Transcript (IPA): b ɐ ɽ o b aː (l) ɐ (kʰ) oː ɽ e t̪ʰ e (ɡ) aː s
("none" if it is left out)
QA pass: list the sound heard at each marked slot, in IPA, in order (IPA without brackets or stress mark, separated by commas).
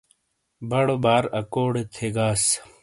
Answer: ɾ, k, ɡ